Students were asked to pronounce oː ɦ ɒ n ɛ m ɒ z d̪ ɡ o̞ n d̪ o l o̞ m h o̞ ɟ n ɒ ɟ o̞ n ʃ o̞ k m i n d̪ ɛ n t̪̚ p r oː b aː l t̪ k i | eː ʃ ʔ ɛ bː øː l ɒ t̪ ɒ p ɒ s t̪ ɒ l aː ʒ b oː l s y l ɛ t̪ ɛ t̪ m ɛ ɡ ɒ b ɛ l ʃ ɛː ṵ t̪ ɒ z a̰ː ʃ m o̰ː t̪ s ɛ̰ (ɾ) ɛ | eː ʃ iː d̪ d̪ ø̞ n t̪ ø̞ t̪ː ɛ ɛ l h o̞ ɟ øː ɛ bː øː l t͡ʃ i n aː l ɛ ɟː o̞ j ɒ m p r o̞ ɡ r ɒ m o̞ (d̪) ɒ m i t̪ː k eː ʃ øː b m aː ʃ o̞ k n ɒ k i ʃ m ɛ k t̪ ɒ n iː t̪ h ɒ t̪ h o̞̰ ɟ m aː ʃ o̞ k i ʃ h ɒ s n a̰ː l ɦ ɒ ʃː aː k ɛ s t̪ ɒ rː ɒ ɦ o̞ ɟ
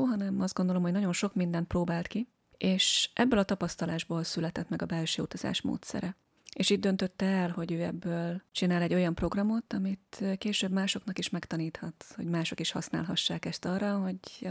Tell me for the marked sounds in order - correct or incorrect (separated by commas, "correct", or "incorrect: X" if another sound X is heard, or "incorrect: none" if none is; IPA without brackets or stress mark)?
correct, incorrect: t̪